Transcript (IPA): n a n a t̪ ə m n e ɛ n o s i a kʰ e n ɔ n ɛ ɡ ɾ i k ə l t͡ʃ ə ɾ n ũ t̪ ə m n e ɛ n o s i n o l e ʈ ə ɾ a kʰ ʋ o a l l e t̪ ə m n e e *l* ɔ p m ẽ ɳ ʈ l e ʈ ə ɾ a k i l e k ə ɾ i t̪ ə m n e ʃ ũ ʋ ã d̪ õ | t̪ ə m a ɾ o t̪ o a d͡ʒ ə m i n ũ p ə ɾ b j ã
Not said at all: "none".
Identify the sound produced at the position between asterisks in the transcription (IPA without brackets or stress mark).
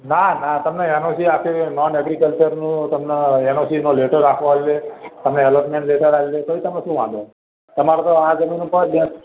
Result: l